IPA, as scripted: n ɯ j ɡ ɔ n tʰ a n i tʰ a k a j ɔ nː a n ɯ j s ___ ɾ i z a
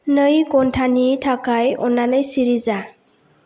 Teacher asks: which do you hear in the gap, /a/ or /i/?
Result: i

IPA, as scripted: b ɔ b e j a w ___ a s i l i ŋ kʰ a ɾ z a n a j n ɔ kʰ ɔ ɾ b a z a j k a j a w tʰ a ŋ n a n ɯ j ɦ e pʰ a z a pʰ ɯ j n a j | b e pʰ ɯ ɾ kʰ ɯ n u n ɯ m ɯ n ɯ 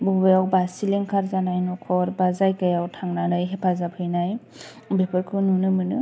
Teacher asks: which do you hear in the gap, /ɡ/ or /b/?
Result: b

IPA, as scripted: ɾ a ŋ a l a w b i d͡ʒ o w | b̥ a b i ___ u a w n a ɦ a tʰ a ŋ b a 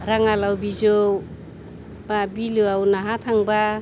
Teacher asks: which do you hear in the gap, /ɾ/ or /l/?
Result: l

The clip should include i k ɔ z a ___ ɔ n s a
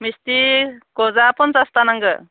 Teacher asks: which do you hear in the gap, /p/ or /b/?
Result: p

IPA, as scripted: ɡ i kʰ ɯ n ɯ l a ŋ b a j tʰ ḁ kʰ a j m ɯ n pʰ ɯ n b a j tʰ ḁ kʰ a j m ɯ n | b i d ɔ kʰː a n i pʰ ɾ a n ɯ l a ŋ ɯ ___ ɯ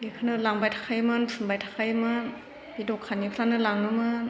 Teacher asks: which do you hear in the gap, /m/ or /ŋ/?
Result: m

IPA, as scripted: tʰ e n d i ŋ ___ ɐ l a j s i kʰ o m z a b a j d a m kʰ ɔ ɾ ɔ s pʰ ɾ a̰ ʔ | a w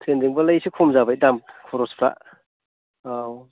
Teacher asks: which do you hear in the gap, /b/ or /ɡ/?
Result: b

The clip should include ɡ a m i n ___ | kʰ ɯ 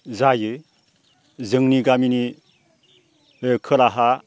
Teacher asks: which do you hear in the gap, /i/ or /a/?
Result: i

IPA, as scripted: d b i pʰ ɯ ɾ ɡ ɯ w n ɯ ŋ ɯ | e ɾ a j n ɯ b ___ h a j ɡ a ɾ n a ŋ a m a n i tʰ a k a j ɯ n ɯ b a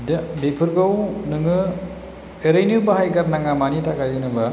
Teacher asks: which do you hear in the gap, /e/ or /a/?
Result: a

